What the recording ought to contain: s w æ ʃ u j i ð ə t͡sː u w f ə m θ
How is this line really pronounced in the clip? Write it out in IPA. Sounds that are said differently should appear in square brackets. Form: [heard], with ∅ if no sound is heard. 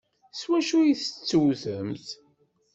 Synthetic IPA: s w æ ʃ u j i [θ] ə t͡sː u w [θ] ə m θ